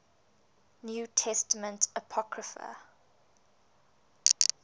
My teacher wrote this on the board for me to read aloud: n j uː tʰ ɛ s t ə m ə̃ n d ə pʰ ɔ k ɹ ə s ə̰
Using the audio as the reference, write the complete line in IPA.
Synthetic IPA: n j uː tʰ ɛ s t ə m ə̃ n t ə pʰ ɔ k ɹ ə f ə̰